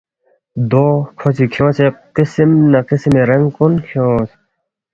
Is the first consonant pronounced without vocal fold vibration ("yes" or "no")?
no